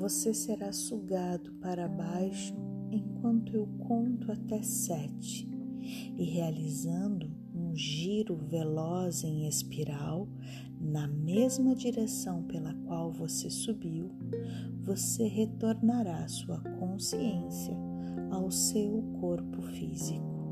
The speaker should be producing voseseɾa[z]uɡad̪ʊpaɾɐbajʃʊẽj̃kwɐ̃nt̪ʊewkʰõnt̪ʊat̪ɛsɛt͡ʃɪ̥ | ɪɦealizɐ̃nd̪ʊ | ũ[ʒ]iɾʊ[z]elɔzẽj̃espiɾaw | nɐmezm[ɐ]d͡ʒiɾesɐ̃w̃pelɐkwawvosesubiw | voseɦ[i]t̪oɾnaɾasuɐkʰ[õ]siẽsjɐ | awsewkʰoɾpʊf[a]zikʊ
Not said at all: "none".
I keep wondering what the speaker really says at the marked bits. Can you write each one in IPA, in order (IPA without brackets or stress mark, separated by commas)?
s, ʒ, v, ɐ, e, õ, i